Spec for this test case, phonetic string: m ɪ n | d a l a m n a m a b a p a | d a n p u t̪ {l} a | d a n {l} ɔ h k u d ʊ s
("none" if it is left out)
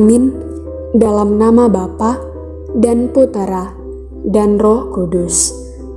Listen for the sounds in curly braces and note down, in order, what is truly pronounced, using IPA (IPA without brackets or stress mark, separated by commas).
ɾ, r